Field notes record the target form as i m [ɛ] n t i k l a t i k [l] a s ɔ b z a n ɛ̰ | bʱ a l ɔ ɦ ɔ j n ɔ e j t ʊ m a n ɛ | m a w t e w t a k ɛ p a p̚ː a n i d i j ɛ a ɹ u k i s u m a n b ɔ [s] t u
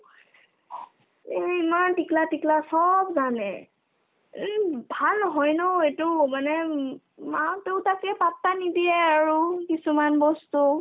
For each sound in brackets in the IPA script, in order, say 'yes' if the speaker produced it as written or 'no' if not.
no, yes, yes

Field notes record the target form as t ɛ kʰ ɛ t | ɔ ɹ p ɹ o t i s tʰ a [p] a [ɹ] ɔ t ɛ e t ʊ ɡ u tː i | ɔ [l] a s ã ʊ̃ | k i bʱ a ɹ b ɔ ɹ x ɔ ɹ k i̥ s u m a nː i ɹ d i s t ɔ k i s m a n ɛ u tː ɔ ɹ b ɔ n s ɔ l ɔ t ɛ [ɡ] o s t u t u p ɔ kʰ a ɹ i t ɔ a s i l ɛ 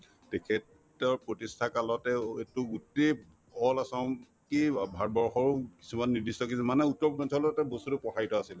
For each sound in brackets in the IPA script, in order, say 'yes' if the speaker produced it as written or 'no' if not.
no, no, yes, no

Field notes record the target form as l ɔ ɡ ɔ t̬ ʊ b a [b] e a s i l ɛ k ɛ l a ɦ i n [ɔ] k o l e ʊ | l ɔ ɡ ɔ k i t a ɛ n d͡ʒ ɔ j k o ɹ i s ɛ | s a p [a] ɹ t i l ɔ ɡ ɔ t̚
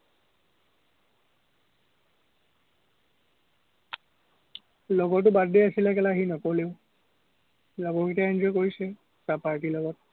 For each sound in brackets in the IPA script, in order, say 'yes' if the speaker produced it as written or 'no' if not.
no, yes, yes

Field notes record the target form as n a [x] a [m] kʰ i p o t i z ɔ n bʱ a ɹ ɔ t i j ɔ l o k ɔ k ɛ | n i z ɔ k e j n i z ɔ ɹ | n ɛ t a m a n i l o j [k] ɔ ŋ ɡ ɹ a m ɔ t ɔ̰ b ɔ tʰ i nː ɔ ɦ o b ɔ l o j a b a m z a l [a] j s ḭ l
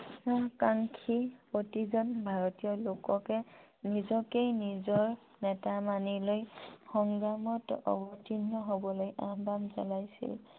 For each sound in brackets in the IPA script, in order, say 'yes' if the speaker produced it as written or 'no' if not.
no, no, no, yes

